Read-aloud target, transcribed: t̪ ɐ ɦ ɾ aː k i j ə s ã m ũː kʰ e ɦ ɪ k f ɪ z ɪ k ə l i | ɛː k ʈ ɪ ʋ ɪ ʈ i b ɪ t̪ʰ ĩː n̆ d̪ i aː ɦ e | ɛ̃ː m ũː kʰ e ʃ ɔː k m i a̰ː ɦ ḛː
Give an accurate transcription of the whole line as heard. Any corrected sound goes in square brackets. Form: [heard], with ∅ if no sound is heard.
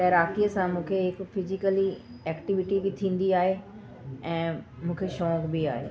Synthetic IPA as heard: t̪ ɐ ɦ ɾ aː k i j ə s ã m ũː kʰ e ɦ ɪ k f ɪ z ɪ k ə l i | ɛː k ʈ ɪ ʋ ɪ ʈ i b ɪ t̪ʰ ĩː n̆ d̪ i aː ɦ e | ɛ̃ː m ũː kʰ e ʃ ɔː k [b] i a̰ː ɦ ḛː